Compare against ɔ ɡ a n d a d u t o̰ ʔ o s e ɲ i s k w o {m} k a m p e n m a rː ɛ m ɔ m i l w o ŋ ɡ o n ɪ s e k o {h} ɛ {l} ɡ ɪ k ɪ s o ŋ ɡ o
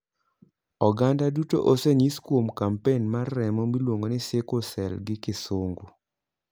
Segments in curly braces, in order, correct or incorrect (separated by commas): correct, incorrect, correct